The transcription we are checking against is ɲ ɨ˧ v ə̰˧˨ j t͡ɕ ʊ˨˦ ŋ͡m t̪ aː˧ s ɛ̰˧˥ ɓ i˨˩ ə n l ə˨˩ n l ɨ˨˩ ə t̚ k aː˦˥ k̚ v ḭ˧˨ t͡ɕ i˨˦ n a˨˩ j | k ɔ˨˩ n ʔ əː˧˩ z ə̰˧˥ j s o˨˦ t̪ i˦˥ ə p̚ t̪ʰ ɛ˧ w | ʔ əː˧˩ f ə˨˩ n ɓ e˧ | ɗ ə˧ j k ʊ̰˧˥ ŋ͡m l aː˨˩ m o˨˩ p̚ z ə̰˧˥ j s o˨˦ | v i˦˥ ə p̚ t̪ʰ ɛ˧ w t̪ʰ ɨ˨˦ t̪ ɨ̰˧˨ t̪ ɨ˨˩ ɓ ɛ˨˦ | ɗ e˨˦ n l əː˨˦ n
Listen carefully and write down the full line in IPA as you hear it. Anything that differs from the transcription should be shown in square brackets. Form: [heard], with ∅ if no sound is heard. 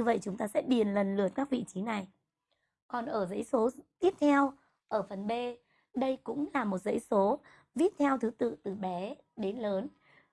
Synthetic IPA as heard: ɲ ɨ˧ v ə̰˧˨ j t͡ɕ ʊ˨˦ ŋ͡m t̪ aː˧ s ɛ̰˧˥ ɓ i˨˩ ə n l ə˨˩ n l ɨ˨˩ ə t̚ k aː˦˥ k̚ v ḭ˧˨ t͡ɕ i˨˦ n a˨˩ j | k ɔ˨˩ n ʔ əː˧˩ z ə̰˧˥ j s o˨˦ t̪ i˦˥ ə p̚ t̪ʰ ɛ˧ w | ʔ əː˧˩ f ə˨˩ n ɓ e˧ | ɗ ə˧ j k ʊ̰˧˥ ŋ͡m l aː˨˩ m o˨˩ [t̚] z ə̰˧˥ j s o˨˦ | v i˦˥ ə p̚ t̪ʰ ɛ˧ w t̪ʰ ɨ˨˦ t̪ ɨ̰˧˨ t̪ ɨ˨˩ ɓ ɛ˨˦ | ɗ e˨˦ n l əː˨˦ n